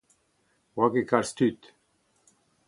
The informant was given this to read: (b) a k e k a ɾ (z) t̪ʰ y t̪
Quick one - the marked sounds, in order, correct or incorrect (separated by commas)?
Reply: incorrect, incorrect